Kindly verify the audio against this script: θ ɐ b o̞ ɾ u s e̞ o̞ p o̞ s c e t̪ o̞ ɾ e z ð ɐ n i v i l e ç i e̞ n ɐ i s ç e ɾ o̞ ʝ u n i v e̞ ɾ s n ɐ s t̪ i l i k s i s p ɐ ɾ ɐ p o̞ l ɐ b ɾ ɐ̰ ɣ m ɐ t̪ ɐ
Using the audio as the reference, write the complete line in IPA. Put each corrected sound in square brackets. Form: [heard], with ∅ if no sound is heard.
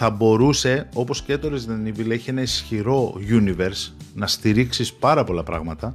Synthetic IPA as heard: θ ɐ b o̞ ɾ u s e̞ o̞ p o̞ s c e t̪ o̞ ɾ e z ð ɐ n i v i l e ç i e̞ n ɐ i s ç [i] ɾ o̞ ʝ u n i v e̞ ɾ s n ɐ s t̪ i [ɾ] i k s i s p ɐ ɾ ɐ p o̞ l ɐ [p] ɾ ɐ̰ ɣ m ɐ t̪ ɐ